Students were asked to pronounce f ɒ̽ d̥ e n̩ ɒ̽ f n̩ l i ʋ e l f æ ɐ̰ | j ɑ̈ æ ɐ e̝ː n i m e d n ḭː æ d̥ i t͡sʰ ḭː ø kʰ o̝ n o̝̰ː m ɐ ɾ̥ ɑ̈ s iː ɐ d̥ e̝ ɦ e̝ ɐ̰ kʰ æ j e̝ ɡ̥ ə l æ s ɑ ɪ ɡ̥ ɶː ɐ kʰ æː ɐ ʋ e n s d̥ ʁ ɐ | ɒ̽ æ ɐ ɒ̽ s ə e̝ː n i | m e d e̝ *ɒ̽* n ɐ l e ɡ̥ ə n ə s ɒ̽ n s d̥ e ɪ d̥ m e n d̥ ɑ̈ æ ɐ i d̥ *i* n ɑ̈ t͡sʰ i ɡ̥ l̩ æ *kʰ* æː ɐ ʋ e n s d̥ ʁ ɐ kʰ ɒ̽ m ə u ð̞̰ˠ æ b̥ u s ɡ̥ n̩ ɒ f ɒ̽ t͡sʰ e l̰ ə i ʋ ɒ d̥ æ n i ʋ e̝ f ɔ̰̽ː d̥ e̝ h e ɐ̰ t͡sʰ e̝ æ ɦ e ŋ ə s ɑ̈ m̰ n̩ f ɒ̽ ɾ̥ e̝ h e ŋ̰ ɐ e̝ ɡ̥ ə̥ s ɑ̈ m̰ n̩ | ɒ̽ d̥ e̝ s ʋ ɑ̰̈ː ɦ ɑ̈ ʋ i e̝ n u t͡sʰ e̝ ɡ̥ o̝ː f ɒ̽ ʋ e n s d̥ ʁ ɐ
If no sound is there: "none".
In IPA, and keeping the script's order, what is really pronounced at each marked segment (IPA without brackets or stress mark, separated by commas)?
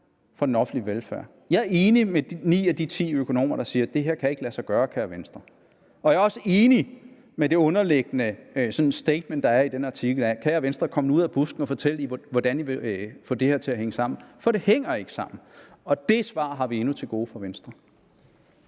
ɔ̽, e, kʰ